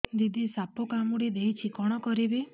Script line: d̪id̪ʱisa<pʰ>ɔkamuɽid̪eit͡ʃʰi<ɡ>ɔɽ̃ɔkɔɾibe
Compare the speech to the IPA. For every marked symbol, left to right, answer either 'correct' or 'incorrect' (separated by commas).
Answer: incorrect, incorrect